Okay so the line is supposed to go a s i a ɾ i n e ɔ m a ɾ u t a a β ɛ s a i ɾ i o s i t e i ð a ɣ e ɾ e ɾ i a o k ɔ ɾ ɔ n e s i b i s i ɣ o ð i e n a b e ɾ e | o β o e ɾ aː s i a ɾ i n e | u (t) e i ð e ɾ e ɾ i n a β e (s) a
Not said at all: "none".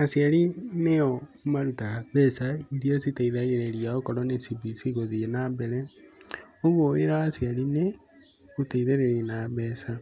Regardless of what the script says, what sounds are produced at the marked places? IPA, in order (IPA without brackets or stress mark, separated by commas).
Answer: t, s